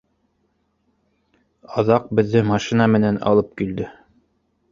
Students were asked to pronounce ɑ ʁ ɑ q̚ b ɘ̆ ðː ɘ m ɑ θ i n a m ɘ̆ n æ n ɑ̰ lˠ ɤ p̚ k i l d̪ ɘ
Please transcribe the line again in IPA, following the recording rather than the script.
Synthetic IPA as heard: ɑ ð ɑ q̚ b ɘ̆ ðː ɘ m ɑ ʃ i n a m ɘ̆ n æ n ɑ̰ lˠ ɤ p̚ k i l d̪ ɘ